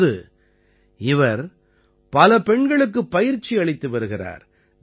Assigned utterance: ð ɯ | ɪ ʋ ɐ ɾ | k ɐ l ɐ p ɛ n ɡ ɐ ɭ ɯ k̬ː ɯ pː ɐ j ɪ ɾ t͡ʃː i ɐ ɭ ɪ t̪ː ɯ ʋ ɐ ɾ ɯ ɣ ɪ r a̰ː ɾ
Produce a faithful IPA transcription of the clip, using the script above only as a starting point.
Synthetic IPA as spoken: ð ɯ | ɪ ʋ ɐ ɾ | p ɐ l ɐ p ɛ ɳ ɡ ɐ ɭ ɯ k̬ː ɯ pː ɐ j ɪ ɾ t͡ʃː i ɐ ɭ ɪ t̪ː ɯ ʋ ɐ ɾ ɯ ɣ ɪ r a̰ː ɾ